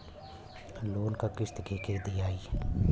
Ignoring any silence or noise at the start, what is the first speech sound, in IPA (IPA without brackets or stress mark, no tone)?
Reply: l